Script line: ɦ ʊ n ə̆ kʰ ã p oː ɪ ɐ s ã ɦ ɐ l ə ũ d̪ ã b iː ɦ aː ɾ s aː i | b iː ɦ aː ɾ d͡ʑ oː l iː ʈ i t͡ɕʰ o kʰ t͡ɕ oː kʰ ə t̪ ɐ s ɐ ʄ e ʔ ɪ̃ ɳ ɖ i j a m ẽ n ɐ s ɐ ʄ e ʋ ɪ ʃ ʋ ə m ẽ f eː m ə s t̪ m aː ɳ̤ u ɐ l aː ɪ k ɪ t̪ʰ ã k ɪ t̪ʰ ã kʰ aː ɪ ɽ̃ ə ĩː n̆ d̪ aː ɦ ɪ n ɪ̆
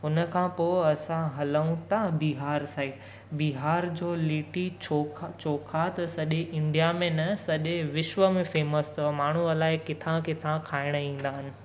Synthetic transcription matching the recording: ɦ ʊ n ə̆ kʰ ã p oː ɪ ɐ s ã ɦ ɐ l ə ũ t̪ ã b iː ɦ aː ɾ s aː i | b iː ɦ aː ɾ d͡ʑ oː l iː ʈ i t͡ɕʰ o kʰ t͡ɕ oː kʰ a t̪ ɐ s ɐ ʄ e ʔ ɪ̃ ɳ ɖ i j a m ẽ n ɐ s ɐ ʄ e ʋ ɪ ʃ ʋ ə m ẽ f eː m ə s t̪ m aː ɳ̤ u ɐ l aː ɪ k ɪ t̪ʰ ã k ɪ t̪ʰ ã kʰ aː ɪ ɽ̃ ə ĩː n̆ d̪ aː ɦ ɪ n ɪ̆